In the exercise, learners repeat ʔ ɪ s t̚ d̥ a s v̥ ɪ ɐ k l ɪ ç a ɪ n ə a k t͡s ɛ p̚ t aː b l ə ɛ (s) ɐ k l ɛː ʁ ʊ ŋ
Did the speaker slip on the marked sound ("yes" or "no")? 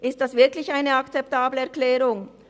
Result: yes